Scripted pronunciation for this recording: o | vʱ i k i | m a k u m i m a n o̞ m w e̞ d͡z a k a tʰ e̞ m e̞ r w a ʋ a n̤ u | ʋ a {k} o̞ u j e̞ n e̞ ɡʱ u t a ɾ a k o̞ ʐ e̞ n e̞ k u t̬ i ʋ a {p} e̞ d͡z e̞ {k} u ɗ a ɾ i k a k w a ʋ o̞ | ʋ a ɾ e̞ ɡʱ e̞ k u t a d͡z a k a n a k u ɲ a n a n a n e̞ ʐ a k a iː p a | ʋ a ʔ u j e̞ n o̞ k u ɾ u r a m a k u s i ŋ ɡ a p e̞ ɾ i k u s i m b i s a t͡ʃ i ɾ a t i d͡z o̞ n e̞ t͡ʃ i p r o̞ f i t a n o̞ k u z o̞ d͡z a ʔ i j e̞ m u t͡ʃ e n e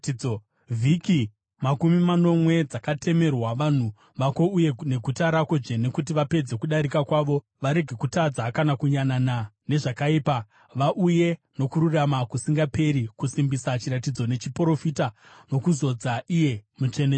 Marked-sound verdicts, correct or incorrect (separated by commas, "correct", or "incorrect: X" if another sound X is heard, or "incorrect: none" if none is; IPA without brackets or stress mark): correct, correct, correct